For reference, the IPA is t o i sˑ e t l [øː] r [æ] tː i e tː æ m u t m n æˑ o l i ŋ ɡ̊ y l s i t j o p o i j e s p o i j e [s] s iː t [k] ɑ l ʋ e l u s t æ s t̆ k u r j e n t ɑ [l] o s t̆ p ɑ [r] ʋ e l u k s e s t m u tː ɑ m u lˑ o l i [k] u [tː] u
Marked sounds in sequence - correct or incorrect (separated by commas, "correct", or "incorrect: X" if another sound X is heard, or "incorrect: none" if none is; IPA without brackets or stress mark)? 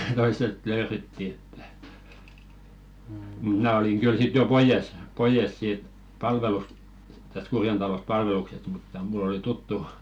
correct, incorrect: e, correct, incorrect: p, correct, incorrect: l, incorrect: t, correct